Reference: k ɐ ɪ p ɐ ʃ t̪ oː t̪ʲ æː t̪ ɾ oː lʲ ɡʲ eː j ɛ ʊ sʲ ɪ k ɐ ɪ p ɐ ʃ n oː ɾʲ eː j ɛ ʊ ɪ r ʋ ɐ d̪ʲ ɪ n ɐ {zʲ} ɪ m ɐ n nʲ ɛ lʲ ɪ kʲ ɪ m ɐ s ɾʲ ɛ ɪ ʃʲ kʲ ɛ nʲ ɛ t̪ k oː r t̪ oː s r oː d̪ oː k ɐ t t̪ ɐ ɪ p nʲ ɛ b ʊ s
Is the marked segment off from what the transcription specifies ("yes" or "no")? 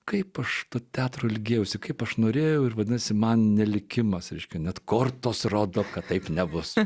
yes